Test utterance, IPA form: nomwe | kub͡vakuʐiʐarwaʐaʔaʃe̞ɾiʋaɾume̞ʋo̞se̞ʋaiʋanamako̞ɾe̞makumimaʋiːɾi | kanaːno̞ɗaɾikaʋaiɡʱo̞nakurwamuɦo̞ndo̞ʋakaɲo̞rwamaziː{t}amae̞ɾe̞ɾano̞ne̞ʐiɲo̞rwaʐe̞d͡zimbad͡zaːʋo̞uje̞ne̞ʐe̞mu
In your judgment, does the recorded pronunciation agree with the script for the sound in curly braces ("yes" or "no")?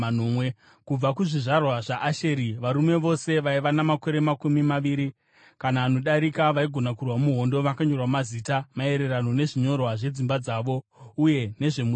yes